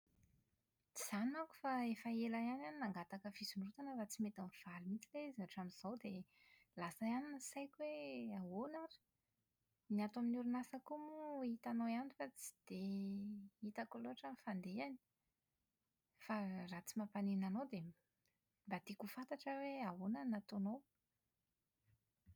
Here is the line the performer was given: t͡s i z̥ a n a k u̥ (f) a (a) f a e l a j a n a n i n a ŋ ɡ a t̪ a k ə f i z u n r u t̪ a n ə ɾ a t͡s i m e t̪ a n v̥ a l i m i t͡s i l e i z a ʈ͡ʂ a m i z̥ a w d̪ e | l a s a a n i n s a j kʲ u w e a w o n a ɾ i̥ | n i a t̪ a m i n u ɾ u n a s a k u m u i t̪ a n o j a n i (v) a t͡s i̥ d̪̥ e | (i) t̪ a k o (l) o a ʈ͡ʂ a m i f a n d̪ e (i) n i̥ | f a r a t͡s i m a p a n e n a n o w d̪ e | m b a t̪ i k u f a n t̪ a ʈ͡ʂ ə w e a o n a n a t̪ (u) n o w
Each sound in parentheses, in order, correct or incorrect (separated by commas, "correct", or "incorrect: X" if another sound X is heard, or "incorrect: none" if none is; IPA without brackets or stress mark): correct, incorrect: e, incorrect: f, correct, correct, incorrect: a, incorrect: o